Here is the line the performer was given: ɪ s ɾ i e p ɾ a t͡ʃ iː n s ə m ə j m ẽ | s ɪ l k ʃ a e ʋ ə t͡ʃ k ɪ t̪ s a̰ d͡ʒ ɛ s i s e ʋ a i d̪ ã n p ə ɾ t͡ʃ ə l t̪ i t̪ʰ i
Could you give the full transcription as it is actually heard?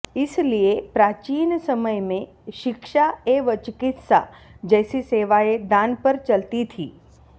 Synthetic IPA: ɪ s l i e p ɾ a t͡ʃ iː n s ə m ə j m ẽ | ʃ ɪ k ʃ a e ʋ ə t͡ʃ k ɪ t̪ s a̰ d͡ʒ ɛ s i s e ʋ a e d̪ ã n p ə ɾ t͡ʃ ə l t̪ i t̪ʰ i